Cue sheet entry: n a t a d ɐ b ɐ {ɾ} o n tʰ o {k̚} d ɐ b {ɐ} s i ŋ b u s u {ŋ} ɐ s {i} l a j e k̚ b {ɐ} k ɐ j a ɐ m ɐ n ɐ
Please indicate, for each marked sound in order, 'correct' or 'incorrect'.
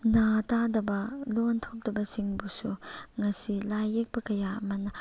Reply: incorrect: l, incorrect: p̚, correct, correct, correct, correct

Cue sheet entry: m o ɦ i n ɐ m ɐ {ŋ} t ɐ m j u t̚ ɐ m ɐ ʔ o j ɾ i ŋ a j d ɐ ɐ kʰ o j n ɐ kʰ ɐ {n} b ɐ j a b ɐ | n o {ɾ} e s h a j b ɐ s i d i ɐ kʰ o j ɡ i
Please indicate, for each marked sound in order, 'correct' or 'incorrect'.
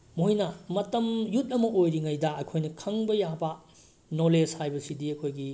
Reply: incorrect: none, incorrect: ŋ, incorrect: l

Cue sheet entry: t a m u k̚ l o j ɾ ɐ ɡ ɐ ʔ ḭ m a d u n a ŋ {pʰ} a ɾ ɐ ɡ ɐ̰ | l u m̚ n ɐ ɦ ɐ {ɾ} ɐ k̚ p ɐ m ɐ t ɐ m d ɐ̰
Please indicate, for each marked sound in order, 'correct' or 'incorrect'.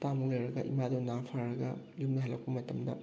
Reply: correct, incorrect: l

